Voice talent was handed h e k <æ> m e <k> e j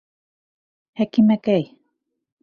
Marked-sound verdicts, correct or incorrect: incorrect: i, correct

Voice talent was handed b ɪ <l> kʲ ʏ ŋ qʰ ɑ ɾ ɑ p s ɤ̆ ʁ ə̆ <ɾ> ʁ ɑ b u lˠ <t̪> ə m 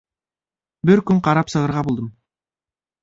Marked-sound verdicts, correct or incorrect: incorrect: ɾ, correct, incorrect: d̪

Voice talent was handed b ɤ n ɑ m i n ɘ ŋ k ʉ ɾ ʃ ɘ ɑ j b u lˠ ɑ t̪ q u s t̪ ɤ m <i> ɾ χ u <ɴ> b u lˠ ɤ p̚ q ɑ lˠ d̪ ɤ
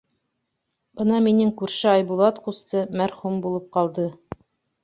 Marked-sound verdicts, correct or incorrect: incorrect: æ, incorrect: m

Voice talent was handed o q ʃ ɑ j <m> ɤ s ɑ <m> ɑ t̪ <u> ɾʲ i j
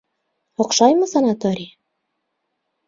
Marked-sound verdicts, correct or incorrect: correct, incorrect: n, incorrect: o

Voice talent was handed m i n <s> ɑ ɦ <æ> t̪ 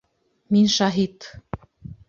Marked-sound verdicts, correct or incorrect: incorrect: ʃ, incorrect: i

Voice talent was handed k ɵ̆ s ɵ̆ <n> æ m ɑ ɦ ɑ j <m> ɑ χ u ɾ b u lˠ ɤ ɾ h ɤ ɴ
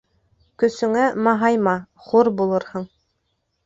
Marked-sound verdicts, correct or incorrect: incorrect: ŋ, correct

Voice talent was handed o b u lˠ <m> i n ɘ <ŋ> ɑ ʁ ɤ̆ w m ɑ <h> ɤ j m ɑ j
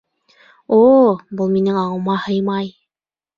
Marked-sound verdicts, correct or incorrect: correct, correct, correct

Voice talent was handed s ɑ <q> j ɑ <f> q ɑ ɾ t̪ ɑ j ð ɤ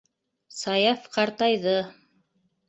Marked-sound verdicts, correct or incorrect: incorrect: none, correct

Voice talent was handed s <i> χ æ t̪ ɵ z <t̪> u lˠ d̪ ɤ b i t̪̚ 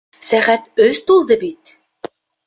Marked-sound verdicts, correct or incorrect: incorrect: æ, correct

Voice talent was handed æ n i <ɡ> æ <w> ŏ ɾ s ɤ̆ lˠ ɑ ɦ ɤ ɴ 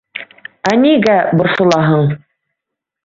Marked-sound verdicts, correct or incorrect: correct, incorrect: b

